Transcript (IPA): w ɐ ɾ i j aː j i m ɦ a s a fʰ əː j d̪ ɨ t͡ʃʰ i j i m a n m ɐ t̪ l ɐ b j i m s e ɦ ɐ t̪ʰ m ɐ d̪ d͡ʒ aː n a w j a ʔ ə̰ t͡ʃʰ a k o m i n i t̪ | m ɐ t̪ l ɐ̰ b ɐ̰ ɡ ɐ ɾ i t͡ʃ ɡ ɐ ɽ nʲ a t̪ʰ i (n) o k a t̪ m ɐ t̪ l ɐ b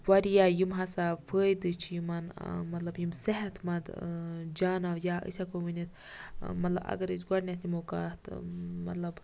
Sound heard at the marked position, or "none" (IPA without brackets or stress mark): m